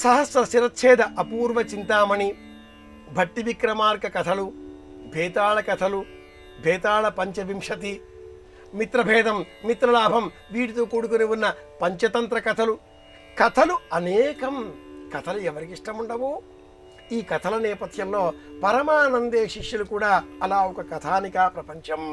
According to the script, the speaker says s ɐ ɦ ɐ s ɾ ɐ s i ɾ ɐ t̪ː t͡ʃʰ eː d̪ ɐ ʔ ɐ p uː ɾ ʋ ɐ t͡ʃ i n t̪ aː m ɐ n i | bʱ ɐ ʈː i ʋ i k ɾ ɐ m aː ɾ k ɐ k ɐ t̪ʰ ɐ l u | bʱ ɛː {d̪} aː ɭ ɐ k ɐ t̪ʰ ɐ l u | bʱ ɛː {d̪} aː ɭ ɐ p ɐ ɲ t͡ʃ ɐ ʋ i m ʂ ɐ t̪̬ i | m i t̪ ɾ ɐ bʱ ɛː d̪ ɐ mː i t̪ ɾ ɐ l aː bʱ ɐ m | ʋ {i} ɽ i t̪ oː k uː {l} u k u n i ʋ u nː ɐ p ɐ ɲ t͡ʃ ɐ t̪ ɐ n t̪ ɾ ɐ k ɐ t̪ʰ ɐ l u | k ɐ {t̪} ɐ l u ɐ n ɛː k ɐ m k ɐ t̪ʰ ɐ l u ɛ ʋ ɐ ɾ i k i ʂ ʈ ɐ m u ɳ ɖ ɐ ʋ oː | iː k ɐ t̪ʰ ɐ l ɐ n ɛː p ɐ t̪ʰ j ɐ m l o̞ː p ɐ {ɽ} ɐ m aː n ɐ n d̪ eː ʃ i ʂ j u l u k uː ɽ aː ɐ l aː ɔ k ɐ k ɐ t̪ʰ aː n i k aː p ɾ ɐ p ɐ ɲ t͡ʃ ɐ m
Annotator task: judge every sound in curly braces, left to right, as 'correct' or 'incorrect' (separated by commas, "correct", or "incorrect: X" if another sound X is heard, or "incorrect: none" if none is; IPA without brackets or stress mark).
incorrect: t̪, incorrect: t̪, incorrect: iː, incorrect: ɽ, incorrect: t̪ʰ, incorrect: ɾ